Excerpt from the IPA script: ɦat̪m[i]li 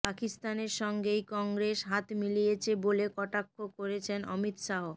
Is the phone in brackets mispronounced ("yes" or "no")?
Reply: no